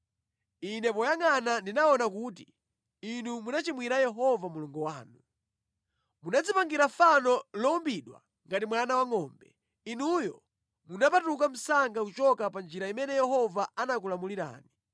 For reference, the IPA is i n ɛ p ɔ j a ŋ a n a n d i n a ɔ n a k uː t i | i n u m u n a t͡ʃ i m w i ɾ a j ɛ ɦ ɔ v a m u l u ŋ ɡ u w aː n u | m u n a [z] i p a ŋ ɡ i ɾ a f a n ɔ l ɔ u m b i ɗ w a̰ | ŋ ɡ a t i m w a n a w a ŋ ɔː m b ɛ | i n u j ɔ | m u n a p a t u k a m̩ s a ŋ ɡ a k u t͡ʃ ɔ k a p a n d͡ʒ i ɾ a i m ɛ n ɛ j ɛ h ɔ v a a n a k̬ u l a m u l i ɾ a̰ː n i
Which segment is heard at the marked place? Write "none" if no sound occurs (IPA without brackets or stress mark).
d͡z